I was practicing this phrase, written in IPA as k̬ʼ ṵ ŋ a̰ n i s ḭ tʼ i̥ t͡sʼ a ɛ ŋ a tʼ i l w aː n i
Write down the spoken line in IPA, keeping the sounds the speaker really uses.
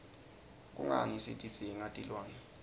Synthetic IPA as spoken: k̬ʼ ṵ ŋ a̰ n i s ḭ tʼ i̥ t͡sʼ i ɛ ŋ a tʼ i l w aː n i

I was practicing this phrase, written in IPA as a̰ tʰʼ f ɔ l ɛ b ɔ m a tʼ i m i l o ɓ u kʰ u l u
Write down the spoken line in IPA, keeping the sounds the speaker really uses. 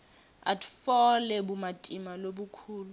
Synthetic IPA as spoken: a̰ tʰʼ f ɔ l ɛ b u m a tʼ i m a l o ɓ u kʰ uː l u

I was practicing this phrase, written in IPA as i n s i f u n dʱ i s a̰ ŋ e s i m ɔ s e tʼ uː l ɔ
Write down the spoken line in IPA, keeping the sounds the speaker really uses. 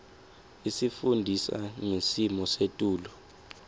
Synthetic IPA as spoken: i s i f u n dʱ i s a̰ ŋ e s i m ɔ s e tʼ uː l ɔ

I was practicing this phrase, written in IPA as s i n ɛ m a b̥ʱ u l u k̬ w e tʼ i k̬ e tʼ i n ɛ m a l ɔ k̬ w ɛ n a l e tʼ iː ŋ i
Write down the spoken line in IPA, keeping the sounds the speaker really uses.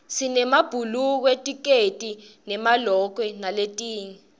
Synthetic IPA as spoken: s i n ɛ m a b̥ʱ u l u k̬ w e tʼ i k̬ e tʼ i n ɛ m a l ɔ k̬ w ɛ n a l e tʼ iː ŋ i

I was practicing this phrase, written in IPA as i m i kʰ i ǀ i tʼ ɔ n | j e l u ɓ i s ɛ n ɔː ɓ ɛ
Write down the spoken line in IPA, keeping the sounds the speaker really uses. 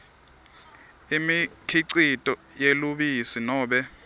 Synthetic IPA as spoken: i m i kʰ i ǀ i tʼ ɔ | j e l u ɓ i s i n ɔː ɓ ɛ

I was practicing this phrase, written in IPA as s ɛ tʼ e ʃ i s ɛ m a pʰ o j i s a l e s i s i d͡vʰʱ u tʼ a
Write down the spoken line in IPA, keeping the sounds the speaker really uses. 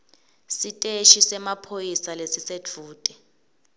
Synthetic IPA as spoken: s i tʼ e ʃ i s ɛ m a pʰ o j i s a l e s i s e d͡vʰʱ uː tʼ ɛ

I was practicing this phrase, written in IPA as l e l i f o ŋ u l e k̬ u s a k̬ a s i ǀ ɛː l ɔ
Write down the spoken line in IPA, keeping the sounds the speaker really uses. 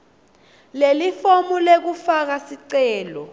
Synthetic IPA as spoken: l e l i f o m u l e k̬ u f a k̬ a s i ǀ ɛː l ɔ

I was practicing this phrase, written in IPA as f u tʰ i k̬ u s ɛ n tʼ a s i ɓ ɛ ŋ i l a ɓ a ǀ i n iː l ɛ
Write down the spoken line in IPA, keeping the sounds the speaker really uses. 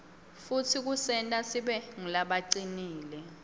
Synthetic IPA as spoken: f u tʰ i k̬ u s ɛ n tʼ a s i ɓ ɛ ŋ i l a ɓ a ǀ i n iː l ɛ

